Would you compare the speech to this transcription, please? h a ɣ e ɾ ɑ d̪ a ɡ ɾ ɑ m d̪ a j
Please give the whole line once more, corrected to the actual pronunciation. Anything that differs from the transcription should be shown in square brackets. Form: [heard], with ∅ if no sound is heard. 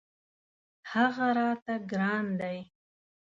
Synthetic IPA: h a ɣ [a] ɾ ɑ [t̪] a ɡ ɾ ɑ [n] d̪ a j